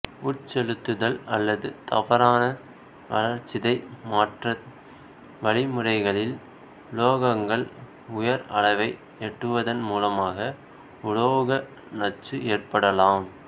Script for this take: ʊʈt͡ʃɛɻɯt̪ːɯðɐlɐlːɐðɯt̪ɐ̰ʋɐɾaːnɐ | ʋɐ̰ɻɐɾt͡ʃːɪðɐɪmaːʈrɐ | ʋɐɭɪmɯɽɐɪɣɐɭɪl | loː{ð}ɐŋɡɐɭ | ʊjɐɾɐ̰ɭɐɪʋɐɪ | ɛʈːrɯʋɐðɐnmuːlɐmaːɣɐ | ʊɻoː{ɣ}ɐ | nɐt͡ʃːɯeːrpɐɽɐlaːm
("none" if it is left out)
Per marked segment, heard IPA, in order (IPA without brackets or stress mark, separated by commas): ɣ, ɣ